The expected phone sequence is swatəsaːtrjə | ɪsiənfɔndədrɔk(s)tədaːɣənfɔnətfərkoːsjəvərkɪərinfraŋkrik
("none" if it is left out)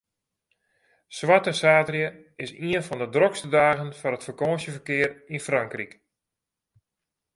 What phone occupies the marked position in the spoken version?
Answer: s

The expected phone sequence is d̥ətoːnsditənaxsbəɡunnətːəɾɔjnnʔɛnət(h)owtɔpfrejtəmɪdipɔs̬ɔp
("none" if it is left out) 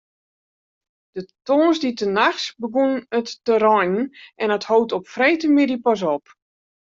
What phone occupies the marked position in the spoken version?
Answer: h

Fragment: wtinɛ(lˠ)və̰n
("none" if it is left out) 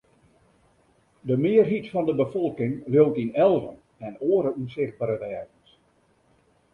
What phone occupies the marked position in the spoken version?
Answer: lˠ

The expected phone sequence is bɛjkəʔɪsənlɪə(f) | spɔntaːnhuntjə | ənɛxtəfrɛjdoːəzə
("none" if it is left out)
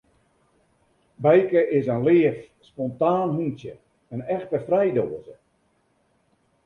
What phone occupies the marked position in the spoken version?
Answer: f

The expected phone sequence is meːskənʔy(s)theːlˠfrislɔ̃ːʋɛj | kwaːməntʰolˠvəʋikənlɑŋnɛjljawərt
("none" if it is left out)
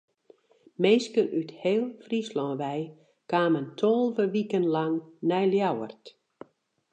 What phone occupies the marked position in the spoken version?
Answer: none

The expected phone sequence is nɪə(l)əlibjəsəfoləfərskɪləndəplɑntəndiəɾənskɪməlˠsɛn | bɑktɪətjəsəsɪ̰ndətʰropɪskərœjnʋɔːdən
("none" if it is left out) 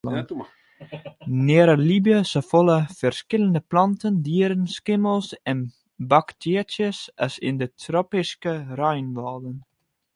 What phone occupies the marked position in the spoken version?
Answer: ɾ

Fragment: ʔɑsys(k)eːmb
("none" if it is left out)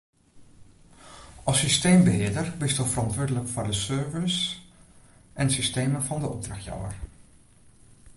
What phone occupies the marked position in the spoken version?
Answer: t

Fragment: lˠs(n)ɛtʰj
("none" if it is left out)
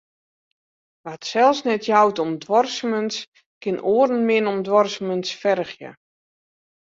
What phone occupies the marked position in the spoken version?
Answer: n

